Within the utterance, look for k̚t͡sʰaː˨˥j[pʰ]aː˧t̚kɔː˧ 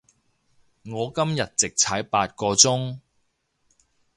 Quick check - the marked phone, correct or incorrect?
incorrect